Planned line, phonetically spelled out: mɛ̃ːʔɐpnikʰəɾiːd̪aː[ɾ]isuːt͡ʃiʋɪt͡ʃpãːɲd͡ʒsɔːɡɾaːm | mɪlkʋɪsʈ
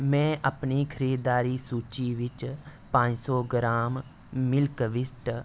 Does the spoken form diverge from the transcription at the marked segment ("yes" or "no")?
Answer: no